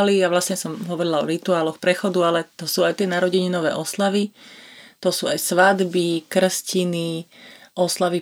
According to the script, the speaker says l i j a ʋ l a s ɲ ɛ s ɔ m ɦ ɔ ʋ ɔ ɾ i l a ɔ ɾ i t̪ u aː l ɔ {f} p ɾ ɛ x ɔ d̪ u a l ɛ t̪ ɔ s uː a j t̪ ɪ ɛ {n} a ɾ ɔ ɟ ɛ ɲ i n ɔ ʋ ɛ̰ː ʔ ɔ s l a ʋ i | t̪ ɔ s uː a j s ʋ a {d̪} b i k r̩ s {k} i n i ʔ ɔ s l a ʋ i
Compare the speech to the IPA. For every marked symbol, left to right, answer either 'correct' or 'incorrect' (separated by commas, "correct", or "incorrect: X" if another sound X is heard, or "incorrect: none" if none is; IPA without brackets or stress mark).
incorrect: x, correct, correct, incorrect: c